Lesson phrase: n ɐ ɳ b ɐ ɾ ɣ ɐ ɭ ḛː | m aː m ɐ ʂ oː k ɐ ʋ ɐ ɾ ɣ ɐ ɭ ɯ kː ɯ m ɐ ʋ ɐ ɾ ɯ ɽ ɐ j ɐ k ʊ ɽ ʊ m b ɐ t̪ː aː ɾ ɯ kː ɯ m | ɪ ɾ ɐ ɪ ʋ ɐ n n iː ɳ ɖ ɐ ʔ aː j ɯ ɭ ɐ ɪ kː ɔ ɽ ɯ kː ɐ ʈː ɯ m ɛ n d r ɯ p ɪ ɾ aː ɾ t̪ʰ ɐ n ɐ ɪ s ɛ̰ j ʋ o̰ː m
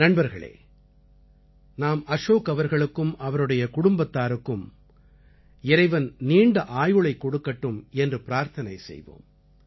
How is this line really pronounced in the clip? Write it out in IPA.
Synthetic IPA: n ɐ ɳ b ɐ ɾ ɣ ɐ ɭ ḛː | n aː m ɐ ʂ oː k ɐ ʋ ɐ ɾ ɣ ɐ ɭ ɯ kː ɯ m ɐ ʋ ɐ ɾ ɯ ɽ ɐ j ɐ k ʊ ɽ ʊ m b ɐ t̪ː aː ɾ ɯ kː ɯ m | ɪ ɾ ɐ ɪ ʋ ɐ n n iː ɳ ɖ ɐ ʔ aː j ɯ ɭ ɐ ɪ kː ɔ ɽ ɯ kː ɐ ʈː ɯ m ɛ n d r ɯ p ɪ ɾ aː ɾ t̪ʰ ɐ n ɐ ɪ s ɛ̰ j ʋ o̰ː m